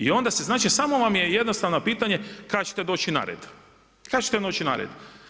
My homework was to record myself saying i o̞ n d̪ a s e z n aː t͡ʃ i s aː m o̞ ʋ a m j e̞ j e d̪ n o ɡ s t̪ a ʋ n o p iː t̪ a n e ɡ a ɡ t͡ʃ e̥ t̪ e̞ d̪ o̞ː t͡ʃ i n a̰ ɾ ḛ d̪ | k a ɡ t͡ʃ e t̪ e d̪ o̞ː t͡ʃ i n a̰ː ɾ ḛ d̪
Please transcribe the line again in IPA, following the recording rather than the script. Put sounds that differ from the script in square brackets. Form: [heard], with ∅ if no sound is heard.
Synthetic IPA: i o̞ n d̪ a s e z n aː t͡ʃ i s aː m o̞ ʋ a m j e̞ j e d̪ n o [∅] s t̪ a ʋ n o p iː t̪ a [ɲ] e [k] a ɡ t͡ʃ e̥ t̪ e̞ d̪ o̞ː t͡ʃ i n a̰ ɾ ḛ d̪ | k a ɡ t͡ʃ e t̪ e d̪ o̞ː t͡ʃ i n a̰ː ɾ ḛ d̪